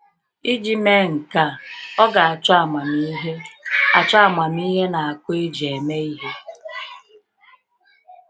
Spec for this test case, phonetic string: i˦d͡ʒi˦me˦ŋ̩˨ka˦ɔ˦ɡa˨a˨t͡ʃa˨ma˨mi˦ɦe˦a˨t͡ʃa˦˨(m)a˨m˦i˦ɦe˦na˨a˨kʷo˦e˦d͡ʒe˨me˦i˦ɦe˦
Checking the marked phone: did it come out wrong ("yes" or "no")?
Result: no